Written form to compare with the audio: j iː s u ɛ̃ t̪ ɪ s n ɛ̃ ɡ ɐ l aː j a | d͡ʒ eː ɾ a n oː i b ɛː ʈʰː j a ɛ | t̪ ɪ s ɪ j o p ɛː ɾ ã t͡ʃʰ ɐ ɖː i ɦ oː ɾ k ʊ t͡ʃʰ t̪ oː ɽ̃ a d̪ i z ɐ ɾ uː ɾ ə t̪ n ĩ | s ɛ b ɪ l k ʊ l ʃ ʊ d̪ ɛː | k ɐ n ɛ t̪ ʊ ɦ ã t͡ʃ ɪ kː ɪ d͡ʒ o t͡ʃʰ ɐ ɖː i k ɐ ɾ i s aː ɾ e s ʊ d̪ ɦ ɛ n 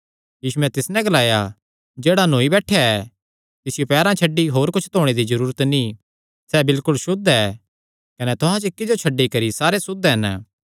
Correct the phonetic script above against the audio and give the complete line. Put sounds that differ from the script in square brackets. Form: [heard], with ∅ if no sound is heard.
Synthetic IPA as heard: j iː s u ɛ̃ t̪ ɪ s n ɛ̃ ɡ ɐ l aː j a | d͡ʒ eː [ɽ] a n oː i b ɛː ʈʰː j a ɛ | t̪ ɪ s ɪ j o p ɛː ɾ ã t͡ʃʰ ɐ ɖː i ɦ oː ɾ k ʊ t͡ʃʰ t̪ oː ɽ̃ [e] d̪ i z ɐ ɾ uː ɾ ə t̪ n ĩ | s ɛ b ɪ l k ʊ l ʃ ʊ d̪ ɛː | k ɐ n ɛ t̪ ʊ ɦ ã t͡ʃ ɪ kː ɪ d͡ʒ o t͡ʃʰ ɐ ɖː i k ɐ ɾ i s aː ɾ e s ʊ d̪ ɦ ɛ n